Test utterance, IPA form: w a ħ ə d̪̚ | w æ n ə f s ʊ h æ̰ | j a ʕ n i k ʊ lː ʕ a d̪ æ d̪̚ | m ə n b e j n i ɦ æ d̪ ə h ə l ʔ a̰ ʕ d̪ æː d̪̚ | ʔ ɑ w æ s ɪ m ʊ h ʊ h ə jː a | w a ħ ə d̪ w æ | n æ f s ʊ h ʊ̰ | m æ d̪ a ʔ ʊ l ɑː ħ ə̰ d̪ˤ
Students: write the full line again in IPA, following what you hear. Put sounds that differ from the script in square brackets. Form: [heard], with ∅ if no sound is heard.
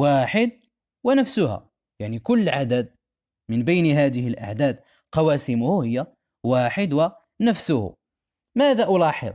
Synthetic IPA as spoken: w a ħ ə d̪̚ | w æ n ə f s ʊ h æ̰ | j a ʕ n i k ʊ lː ʕ a d̪ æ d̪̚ | m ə n b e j n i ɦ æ d̪ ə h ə l ʔ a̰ ʕ d̪ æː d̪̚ | [q] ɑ w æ s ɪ m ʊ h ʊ h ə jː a | w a ħ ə d̪ w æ | n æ f s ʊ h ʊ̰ | m æ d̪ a ʔ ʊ l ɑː ħ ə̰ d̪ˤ